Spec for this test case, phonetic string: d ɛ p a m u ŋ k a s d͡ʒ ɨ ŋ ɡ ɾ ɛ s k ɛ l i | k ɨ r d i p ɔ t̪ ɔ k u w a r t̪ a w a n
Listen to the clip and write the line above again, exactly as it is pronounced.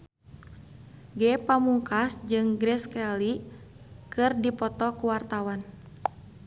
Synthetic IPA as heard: ɡ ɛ p a m u ŋ k a s d͡ʒ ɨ ŋ ɡ ɾ ɛ s k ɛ l i | k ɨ r d i p ɔ t̪ ɔ k u w a r t̪ a w a n